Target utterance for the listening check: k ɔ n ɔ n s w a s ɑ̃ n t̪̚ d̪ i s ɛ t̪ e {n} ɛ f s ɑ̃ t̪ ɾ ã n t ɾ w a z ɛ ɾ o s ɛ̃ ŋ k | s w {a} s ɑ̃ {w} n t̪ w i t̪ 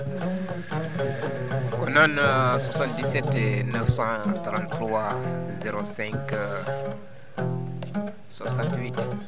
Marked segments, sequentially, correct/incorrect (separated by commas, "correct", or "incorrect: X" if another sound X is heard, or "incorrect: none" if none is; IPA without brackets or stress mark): correct, correct, incorrect: none